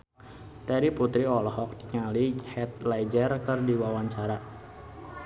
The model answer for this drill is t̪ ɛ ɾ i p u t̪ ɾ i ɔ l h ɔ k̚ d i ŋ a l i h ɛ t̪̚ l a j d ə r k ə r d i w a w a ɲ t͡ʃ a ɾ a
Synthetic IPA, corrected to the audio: t̪ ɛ ɾ i p u t̪ ɾ i ɔ l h ɔ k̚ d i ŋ a l i h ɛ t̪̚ l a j d͡ʒ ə r k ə r d i w a w a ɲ t͡ʃ a ɾ a